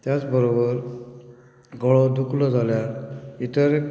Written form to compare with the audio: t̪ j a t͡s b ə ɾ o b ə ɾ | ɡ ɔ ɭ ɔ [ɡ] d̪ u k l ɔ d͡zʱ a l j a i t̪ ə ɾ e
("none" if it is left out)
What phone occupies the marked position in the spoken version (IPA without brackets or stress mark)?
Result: none